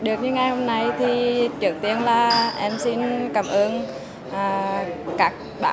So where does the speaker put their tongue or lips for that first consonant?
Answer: tongue tip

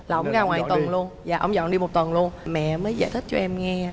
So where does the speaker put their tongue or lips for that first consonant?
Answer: tongue tip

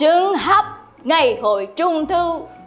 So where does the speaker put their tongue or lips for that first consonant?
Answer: velum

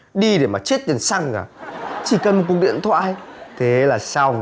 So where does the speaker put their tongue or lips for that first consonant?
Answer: tongue tip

